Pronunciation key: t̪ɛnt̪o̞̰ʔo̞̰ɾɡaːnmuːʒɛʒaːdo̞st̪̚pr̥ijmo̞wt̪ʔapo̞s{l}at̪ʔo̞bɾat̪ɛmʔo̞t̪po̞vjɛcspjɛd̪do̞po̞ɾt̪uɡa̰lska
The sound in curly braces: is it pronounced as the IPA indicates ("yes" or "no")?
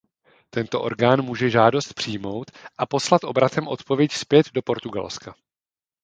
yes